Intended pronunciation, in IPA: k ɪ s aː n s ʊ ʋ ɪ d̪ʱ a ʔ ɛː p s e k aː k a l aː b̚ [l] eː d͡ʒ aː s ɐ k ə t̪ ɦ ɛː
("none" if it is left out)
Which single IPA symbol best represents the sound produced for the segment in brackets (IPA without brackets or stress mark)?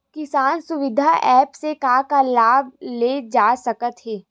l